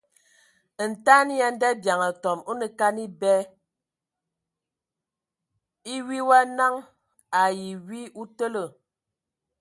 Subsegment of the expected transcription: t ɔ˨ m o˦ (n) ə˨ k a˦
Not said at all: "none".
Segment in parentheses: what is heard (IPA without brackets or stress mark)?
n